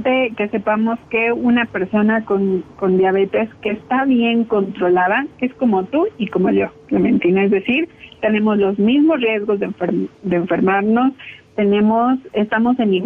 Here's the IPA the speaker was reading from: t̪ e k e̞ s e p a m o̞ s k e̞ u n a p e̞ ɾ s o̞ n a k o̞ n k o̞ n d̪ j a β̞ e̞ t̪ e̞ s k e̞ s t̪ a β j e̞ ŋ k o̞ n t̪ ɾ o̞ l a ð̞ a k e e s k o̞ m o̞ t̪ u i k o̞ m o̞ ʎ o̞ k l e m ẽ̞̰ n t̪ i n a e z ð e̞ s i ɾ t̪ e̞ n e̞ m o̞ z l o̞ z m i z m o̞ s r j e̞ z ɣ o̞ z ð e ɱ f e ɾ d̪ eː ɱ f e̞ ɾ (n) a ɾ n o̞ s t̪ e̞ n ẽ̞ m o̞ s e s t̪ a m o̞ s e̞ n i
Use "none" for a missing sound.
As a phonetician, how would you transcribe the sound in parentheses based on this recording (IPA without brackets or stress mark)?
m